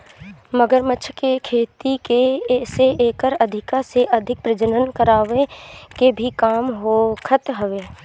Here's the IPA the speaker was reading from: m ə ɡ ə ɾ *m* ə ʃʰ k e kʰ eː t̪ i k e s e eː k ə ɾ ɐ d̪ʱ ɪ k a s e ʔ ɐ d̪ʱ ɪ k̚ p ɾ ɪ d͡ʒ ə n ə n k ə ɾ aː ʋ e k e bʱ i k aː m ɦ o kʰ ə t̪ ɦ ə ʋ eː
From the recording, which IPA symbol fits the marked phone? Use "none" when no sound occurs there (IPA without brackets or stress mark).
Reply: m